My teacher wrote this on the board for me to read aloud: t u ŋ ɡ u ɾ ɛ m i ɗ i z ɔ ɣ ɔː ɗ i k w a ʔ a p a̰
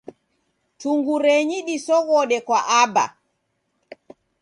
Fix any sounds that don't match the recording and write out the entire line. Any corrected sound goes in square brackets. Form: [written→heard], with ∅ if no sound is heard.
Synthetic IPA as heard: t u ŋ ɡ u ɾ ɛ [m→ɲ] i ɗ i [z→s] ɔ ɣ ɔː ɗ [i→ɛ] k w a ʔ a [p→b] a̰